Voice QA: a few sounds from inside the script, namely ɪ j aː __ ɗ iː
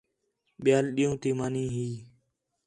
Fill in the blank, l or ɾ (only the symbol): l